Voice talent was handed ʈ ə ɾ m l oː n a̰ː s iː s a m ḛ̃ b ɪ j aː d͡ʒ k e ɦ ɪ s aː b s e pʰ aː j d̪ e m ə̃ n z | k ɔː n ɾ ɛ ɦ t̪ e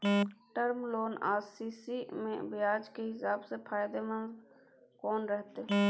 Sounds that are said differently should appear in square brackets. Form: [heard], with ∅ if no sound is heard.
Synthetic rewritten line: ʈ ə ɾ m l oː n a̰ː s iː s [i] m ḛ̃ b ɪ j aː d͡ʒ k e ɦ ɪ s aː b s e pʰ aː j d̪ e m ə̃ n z | k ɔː n ɾ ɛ ɦ t̪ e